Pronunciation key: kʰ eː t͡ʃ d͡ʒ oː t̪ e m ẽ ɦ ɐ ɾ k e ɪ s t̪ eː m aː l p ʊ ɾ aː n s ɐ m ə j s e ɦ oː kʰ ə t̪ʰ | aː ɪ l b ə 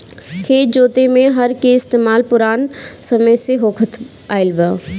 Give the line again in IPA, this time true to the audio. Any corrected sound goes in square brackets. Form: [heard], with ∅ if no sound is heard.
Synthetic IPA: kʰ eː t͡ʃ d͡ʒ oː t̪ e m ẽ ɦ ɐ ɾ k e ɪ s t̪ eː m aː l p ʊ ɾ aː n s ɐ m ə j s e ɦ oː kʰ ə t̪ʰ | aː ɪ l b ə